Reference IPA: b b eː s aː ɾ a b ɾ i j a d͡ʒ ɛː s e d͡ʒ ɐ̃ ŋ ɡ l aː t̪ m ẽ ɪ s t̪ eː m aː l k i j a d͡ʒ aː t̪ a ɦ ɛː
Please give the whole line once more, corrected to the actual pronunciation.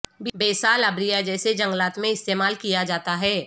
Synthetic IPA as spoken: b b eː s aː l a b ɾ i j a d͡ʒ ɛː s e d͡ʒ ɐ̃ ŋ ɡ l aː t̪ m ẽ ɪ s t̪ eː m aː l k i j a d͡ʒ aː t̪ a ɦ ɛː